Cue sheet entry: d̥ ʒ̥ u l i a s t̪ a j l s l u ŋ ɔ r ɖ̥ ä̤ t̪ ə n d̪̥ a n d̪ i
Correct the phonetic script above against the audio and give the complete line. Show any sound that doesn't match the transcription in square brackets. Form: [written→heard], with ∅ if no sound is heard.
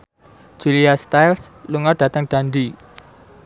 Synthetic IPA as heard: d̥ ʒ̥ u l i a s t̪ a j l s l u ŋ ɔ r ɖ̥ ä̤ t̪ ə [n→ŋ] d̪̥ a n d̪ i